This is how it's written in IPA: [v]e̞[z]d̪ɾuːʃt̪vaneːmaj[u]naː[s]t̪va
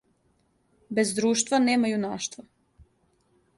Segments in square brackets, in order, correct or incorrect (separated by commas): incorrect, correct, correct, incorrect